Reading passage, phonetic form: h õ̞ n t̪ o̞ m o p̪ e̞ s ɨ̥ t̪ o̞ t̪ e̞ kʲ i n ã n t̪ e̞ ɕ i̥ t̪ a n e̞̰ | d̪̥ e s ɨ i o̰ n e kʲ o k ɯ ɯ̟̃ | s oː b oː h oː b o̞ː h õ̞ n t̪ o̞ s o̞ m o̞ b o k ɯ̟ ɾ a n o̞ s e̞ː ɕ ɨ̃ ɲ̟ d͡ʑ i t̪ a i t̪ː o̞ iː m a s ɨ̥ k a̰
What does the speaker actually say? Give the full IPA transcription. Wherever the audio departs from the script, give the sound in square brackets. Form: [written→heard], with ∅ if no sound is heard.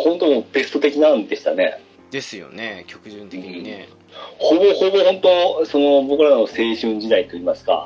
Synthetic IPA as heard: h õ̞ n t̪ o̞ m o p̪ e̞ s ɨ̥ t̪ o̞ t̪ e̞ kʲ i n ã n [t̪→d̪] e̞ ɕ i̥ t̪ a n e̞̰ | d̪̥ e s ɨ [i→j] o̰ n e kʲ o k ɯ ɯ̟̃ | [s→h] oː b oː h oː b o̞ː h õ̞ n t̪ o̞ s o̞ [m→n] o̞ b o k ɯ̟ ɾ a n o̞ s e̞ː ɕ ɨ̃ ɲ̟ d͡ʑ i [t̪→d̪] a i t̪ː o̞ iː m a s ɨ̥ k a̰